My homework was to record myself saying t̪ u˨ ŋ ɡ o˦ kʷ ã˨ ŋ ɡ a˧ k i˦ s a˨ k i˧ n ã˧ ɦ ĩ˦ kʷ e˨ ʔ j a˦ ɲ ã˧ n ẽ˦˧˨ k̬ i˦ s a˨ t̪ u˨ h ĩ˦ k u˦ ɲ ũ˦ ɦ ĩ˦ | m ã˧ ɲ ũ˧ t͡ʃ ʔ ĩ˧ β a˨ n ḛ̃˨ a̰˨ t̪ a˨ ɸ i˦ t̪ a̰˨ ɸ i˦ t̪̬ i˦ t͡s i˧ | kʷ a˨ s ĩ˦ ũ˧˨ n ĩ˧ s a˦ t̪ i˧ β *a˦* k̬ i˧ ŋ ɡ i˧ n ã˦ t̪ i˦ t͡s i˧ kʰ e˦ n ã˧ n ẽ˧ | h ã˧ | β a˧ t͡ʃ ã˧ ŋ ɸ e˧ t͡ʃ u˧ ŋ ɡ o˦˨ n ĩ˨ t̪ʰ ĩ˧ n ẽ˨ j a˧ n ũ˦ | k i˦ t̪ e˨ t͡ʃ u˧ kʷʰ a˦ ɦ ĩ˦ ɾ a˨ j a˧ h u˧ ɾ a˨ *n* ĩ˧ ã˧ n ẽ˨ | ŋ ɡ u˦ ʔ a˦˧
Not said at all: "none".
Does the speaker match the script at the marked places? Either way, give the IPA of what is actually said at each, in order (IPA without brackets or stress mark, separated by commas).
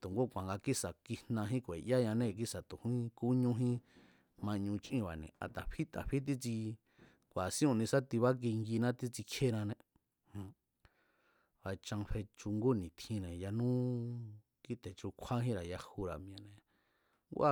a˦, m